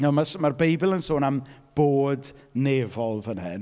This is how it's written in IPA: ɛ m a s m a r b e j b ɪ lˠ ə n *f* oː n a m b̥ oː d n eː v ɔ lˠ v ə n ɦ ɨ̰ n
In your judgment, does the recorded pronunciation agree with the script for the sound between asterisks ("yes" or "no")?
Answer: no